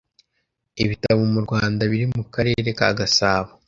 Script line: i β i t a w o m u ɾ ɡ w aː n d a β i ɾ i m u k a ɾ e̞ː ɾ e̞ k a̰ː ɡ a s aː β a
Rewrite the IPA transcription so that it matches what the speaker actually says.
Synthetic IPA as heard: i β i t a β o m u ɾ ɡ w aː n d a β i ɾ i m u k a ɾ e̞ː ɾ e̞ k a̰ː ɡ a s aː β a